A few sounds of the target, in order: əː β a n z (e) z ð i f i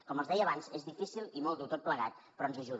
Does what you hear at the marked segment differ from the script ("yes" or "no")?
no